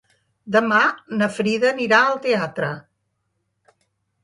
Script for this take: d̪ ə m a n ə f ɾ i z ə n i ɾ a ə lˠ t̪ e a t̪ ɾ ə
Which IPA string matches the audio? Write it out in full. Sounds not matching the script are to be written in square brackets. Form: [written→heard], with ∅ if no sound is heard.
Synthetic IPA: d̪ ə m a n ə f ɾ i [z→ð] ə n i ɾ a ə lˠ t̪ e a t̪ ɾ ə